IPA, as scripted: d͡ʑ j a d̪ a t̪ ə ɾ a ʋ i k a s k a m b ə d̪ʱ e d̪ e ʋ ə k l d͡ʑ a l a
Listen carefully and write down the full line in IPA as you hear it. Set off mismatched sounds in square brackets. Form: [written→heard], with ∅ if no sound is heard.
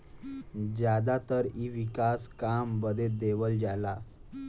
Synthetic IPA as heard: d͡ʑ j a d̪ a t̪ ə ɾ [a→i] ʋ i k a s k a m b ə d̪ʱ e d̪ e ʋ ə [k→∅] l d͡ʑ a l a